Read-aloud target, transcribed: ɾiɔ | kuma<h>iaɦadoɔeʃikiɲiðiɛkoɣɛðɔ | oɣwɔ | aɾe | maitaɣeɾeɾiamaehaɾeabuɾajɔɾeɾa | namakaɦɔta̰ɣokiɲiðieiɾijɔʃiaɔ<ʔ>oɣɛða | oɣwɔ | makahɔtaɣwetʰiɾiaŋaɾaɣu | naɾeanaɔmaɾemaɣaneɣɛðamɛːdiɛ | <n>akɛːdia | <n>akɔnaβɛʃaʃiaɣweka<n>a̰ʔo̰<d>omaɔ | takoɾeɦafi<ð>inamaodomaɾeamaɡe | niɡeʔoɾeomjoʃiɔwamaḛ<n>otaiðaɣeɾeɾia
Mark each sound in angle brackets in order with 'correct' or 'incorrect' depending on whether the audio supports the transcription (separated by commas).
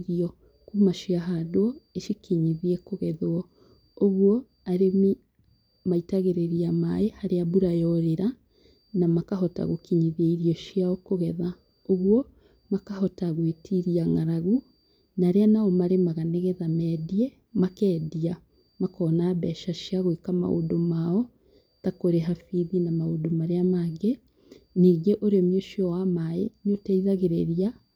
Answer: incorrect, incorrect, incorrect, incorrect, incorrect, correct, correct, correct